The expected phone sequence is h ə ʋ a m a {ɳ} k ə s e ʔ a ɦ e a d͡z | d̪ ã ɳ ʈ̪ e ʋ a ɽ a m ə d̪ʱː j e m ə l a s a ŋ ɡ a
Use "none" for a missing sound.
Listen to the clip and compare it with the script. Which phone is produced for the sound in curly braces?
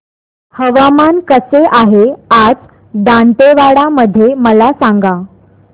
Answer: n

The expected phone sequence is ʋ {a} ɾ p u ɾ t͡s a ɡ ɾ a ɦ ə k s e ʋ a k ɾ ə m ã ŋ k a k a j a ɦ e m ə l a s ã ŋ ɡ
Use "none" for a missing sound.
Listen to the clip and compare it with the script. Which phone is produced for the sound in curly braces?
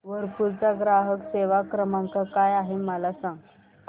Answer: ə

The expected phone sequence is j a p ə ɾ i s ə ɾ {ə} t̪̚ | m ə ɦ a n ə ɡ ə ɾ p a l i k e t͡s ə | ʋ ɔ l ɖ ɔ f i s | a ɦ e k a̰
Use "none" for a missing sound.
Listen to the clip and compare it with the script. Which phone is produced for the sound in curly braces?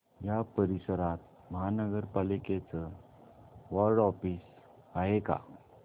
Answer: a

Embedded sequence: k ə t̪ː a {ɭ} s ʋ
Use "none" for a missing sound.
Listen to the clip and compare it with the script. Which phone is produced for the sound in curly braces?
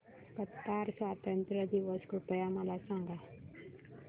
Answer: ɾ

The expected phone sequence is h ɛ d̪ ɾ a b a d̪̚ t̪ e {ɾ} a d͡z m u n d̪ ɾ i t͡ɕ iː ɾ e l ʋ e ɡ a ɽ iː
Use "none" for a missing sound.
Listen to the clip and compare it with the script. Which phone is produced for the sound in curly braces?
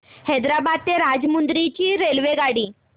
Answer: ɾ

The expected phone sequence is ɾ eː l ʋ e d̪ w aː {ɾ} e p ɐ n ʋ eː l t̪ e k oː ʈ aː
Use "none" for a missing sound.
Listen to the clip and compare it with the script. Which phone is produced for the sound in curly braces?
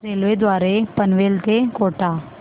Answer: ɾ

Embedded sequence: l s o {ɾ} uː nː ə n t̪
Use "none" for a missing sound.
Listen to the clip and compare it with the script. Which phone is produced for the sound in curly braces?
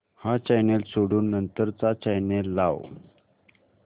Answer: ɽ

